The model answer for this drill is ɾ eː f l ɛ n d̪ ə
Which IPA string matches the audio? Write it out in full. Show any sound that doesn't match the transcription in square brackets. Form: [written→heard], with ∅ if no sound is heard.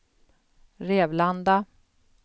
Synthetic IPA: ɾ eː [f→v] l [ɛ→a] n d̪ [ə→a]